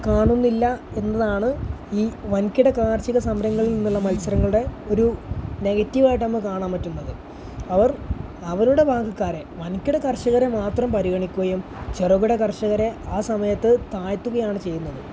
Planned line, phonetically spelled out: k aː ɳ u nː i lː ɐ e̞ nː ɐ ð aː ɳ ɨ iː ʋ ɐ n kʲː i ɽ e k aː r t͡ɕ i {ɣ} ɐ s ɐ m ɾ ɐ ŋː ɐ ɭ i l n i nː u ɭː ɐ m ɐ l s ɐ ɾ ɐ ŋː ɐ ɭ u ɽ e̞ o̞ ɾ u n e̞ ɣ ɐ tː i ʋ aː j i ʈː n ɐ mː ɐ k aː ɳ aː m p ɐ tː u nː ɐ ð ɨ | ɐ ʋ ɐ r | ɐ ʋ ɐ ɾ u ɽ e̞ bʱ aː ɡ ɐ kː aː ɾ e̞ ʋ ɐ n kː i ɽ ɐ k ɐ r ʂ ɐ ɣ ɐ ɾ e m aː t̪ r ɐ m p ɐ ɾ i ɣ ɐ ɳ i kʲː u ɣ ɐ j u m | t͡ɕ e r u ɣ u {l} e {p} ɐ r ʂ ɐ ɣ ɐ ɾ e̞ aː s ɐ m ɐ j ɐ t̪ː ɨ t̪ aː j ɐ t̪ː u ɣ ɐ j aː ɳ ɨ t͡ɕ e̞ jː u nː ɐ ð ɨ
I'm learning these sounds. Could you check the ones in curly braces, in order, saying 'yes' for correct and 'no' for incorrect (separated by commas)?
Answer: yes, no, no